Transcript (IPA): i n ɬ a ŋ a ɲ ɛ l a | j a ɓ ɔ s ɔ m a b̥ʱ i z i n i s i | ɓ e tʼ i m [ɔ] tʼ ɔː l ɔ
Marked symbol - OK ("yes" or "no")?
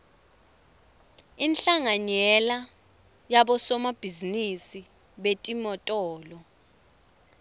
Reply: yes